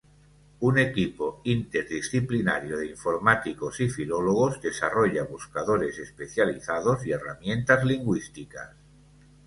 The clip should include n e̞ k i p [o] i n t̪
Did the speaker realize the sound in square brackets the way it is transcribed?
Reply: yes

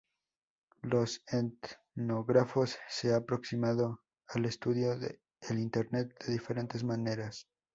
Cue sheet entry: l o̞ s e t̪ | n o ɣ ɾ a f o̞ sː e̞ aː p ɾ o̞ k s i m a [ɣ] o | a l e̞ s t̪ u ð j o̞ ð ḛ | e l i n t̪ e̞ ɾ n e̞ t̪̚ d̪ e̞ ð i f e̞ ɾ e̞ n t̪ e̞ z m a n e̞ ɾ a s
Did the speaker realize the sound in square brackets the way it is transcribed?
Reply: no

